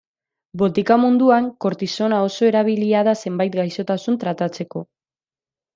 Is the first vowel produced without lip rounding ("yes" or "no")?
no